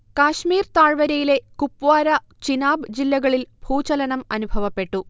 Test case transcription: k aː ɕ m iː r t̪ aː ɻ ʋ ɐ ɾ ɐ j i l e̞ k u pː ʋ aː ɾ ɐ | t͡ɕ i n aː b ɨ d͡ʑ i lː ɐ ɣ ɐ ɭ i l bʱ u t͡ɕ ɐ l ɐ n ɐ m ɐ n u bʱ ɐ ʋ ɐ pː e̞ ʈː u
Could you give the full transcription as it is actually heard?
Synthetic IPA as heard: k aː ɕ m iː r t̪ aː ɻ ʋ ɐ ɾ ɐ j i l e̞ k u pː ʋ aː ɾ ɐ | t͡ɕ i n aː b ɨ d͡ʑ i lː ɐ ɣ ɐ ɭ i l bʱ uː t͡ɕ ɐ l ɐ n ɐ m ɐ n u bʱ ɐ ʋ ɐ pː e̞ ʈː u